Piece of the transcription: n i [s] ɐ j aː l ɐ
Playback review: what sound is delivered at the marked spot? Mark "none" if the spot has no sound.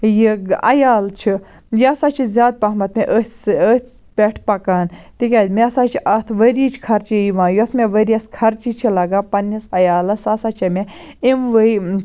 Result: s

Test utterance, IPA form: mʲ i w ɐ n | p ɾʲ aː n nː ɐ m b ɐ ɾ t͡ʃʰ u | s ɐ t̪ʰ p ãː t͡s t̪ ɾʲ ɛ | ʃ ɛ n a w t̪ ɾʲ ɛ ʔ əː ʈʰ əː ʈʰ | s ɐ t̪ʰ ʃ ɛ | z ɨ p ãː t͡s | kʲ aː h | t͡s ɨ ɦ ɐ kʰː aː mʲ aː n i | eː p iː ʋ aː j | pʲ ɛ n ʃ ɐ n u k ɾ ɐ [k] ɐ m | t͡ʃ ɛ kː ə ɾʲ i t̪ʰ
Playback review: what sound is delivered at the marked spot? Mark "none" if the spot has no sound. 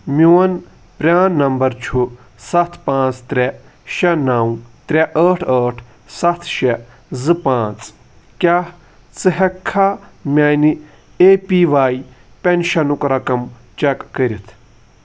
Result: k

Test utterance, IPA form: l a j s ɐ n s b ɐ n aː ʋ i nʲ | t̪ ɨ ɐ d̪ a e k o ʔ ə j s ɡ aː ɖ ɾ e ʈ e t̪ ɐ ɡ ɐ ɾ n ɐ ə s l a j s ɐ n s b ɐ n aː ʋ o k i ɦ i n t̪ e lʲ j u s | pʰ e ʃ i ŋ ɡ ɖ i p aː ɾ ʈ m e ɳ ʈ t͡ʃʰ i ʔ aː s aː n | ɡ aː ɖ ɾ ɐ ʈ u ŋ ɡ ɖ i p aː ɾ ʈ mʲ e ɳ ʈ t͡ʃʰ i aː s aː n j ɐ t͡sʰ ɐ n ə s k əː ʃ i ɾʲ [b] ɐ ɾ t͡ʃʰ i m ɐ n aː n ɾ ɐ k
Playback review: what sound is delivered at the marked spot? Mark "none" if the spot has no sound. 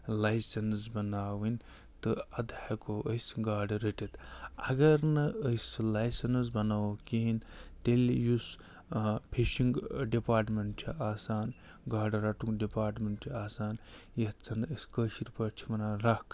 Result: p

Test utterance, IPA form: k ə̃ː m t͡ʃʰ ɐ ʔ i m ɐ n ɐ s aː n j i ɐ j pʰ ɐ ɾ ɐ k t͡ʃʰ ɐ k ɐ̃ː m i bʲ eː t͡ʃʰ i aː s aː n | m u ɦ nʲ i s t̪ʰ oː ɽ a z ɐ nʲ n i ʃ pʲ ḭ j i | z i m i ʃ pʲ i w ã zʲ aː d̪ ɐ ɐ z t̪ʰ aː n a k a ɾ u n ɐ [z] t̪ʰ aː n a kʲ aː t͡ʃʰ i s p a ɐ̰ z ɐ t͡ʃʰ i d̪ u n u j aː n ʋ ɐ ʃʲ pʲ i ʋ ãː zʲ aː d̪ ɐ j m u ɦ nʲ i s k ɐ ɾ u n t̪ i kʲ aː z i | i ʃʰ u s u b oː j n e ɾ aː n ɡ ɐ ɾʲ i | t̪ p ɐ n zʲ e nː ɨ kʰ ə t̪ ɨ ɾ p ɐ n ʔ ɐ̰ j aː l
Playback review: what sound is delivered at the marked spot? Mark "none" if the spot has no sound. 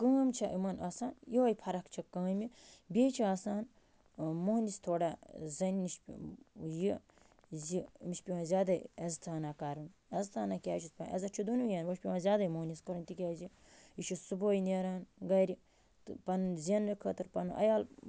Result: z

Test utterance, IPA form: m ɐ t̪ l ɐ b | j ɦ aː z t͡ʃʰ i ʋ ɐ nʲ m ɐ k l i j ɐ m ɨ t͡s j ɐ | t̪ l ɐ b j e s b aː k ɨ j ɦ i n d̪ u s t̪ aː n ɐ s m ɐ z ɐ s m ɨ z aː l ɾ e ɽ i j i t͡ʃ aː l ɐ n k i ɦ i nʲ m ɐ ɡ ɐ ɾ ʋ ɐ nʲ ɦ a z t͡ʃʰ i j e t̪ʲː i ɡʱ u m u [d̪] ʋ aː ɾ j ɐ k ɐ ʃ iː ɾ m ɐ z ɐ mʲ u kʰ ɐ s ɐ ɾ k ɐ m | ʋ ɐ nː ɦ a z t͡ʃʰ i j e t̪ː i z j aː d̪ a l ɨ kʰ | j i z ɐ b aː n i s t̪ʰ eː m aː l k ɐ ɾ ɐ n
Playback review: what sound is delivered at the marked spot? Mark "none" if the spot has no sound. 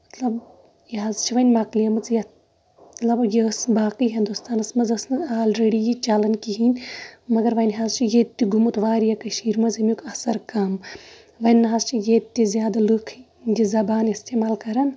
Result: t̪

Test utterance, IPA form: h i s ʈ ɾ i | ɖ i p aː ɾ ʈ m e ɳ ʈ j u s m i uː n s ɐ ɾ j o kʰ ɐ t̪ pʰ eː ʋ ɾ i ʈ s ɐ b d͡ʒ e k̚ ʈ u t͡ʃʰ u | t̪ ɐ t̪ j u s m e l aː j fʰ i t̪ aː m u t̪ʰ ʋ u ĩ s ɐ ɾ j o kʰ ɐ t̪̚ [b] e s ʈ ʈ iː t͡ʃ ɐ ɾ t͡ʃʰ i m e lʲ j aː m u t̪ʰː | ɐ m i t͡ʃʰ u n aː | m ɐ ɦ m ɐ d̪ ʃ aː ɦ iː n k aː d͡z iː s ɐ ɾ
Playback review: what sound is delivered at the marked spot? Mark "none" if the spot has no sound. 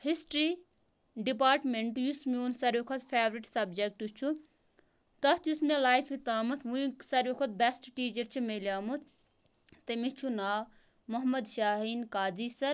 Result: b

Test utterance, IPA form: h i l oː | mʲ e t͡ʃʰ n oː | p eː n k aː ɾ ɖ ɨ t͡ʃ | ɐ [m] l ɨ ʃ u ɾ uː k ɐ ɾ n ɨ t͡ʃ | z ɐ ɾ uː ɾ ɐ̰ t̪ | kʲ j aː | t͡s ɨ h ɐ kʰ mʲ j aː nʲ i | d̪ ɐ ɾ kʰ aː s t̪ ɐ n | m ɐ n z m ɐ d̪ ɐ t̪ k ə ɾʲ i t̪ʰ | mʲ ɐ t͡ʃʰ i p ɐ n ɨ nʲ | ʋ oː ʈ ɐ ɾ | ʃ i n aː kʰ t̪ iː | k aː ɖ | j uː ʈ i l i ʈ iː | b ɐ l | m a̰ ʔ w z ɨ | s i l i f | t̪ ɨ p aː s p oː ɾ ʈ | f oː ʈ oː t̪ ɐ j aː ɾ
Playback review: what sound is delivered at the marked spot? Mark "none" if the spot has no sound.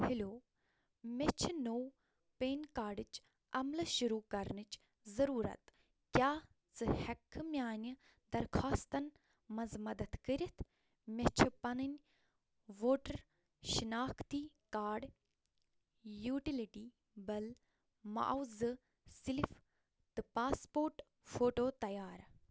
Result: m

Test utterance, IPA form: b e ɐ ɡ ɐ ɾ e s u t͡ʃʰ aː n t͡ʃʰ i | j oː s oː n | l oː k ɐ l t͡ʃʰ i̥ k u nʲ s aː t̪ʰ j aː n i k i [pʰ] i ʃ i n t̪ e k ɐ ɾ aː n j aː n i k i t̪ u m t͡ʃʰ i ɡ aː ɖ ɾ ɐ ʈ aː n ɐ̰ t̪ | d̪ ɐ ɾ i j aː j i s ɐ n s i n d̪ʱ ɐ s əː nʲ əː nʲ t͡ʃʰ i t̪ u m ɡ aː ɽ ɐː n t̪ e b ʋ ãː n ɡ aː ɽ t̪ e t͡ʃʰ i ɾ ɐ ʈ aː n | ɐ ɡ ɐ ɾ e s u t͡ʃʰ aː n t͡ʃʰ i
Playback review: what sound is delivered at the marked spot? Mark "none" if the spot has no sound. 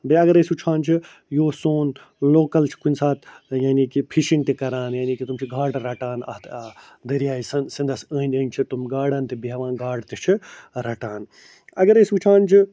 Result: pʰ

